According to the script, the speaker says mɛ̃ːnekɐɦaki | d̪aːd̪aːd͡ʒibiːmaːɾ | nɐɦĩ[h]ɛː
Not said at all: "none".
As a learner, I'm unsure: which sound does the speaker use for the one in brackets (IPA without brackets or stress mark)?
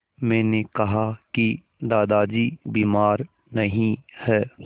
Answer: h